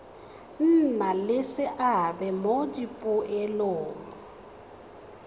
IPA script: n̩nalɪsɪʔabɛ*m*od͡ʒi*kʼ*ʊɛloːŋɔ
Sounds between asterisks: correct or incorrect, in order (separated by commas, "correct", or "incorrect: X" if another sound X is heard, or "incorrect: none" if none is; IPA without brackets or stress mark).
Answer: correct, incorrect: pʼ